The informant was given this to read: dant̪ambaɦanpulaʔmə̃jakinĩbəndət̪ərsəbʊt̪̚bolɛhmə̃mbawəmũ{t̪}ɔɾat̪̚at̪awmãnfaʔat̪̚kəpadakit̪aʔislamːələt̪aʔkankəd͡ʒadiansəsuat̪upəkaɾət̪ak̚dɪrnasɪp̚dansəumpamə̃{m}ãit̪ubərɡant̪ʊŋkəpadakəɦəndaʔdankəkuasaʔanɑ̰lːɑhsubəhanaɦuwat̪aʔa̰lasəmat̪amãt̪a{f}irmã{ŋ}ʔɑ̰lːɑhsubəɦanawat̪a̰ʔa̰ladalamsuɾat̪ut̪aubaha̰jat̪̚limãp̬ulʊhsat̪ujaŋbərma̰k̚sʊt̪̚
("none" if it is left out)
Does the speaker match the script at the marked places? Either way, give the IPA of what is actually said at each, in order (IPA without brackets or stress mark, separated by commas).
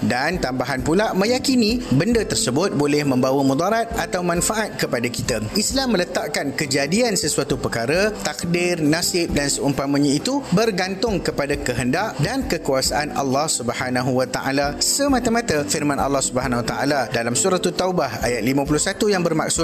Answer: d̪, ɲ, f, n